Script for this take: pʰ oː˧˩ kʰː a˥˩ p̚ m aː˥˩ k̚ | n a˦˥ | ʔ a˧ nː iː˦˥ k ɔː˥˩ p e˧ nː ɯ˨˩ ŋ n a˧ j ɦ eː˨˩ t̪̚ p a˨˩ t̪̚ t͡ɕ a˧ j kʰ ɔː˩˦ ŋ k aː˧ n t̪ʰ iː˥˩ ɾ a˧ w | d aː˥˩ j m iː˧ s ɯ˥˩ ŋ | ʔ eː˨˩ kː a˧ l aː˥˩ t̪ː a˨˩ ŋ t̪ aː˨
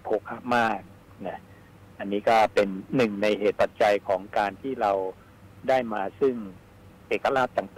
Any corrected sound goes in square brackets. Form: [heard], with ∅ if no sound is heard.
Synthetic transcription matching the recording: pʰ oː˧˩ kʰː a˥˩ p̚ m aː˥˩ k̚ | n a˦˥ | ʔ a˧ nː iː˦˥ k ɔː˥˩ p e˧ nː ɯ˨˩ ŋ n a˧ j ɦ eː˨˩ t̪̚ p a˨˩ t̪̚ t͡ɕ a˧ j kʰ ɔː˩˦ ŋ k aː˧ n t̪ʰ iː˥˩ ɾ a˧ w | d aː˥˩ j m [aː˧] s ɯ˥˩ ŋ | ʔ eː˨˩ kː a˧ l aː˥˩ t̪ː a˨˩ ŋ t̪ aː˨